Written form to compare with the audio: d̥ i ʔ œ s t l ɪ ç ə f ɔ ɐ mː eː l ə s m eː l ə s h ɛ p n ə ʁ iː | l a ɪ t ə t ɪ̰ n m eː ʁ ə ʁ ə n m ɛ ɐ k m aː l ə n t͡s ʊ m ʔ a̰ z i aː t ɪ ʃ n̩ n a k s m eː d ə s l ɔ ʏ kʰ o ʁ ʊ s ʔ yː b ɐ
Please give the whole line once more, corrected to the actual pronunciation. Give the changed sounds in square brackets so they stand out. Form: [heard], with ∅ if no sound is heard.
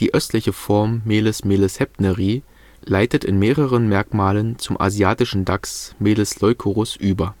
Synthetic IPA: d̥ [iː] ʔ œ s t l ɪ ç ə f ɔ ɐ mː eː l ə s m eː l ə s h ɛ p n ə ʁ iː | l a ɪ t ə t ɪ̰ n m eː ʁ ə ʁ ə n m ɛ ɐ k m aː l ə n t͡s ʊ m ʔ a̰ z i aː t ɪ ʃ n̩ [d] a k s m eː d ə s l ɔ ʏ kʰ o ʁ ʊ s ʔ yː b ɐ